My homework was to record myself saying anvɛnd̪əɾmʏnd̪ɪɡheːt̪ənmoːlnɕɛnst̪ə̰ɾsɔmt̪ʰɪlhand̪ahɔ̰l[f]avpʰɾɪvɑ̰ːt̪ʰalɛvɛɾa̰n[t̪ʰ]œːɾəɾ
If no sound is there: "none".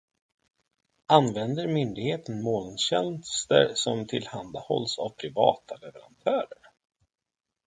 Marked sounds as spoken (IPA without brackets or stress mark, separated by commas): s, t̪ʰ